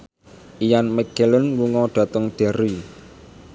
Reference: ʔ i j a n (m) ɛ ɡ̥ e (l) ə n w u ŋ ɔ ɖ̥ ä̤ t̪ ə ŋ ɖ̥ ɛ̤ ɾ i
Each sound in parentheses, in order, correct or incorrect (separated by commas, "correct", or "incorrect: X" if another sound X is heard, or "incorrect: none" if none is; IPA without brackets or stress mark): correct, correct